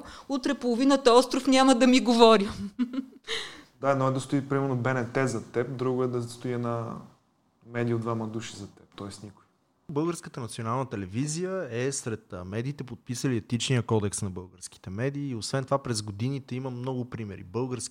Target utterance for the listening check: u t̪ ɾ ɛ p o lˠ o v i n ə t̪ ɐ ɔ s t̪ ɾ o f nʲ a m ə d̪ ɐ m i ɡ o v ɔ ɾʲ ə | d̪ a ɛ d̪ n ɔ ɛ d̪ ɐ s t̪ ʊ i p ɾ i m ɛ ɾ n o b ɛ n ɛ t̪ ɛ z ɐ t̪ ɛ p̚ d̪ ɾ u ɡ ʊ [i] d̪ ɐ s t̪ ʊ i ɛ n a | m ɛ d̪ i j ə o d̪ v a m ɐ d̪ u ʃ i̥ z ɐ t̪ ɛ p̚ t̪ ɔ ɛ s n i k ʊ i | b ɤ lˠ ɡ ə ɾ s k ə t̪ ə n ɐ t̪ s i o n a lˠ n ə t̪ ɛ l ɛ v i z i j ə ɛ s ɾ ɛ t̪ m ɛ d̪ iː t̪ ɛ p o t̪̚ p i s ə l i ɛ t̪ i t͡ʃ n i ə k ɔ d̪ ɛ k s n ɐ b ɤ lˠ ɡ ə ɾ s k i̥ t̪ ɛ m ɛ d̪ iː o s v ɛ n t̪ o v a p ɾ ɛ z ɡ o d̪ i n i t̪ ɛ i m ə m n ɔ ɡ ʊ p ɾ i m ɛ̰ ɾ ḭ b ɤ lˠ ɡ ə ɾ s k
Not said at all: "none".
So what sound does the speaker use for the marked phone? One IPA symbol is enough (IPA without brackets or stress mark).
ɛ